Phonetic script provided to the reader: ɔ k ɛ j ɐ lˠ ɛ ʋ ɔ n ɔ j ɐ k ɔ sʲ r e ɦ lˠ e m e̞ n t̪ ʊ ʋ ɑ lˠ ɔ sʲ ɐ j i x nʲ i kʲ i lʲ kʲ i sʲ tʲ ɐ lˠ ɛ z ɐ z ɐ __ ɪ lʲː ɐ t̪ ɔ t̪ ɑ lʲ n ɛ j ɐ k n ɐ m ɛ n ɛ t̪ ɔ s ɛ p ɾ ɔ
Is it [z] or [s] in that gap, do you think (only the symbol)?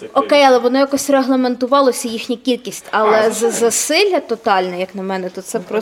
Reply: s